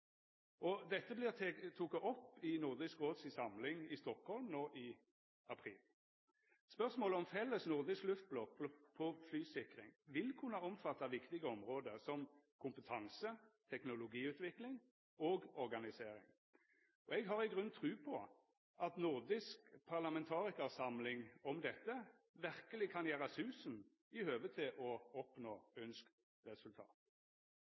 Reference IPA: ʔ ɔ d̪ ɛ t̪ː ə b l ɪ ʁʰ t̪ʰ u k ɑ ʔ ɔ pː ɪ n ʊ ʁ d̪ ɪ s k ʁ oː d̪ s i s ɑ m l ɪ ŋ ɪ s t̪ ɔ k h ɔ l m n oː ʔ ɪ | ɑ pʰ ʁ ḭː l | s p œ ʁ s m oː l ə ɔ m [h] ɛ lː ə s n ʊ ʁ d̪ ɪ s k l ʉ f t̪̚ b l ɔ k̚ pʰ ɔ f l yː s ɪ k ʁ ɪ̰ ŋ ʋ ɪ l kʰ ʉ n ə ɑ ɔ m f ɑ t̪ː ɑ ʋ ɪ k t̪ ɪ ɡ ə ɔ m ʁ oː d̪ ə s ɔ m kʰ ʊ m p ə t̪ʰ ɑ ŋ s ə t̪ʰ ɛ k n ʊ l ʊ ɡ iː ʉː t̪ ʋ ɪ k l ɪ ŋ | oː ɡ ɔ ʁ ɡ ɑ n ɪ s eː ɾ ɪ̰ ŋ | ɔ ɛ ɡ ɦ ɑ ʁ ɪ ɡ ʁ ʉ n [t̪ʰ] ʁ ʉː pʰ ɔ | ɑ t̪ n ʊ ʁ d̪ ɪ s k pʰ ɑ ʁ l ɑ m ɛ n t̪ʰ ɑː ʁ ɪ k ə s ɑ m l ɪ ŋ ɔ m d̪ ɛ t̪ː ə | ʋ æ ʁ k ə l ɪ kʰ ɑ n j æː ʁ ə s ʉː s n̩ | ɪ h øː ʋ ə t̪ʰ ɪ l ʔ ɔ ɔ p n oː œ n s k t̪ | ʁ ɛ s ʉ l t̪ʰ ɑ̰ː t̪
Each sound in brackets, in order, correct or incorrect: incorrect: f, correct

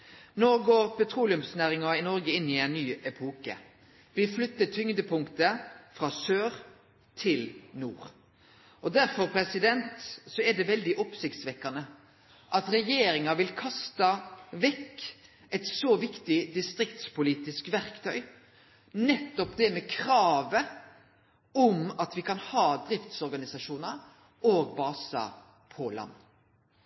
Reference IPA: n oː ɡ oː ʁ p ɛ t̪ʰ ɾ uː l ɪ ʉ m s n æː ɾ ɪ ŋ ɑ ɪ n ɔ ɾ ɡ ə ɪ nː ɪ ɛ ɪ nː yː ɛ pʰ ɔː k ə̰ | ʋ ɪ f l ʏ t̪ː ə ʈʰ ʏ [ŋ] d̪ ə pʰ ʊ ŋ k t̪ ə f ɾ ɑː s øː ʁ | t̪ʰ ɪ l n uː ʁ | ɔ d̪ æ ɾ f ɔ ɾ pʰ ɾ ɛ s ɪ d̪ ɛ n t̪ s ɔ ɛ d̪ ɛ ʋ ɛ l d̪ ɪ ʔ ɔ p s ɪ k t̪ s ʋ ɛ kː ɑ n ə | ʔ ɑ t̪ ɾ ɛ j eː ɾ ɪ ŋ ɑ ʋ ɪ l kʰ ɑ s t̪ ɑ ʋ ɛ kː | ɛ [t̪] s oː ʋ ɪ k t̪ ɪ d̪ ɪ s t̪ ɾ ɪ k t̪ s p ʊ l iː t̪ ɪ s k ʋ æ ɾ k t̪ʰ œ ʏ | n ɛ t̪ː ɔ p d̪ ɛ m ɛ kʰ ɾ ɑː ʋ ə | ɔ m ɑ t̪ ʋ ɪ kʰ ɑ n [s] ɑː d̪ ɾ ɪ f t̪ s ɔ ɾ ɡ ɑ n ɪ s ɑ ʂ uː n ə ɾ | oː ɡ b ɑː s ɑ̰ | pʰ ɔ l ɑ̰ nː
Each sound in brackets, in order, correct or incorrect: correct, correct, incorrect: h

